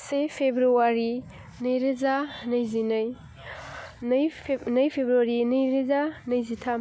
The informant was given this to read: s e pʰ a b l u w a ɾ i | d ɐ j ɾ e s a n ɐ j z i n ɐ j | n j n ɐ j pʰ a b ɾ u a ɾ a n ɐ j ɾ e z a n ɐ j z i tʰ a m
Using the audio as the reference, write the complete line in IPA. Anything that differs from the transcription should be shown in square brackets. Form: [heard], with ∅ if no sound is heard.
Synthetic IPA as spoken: s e pʰ [e] b [ɾ] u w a ɾ i | [n] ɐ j ɾ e [z] a n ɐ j z i n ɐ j | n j n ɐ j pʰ [e] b ɾ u a ɾ [i] n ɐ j ɾ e z a n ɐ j z i tʰ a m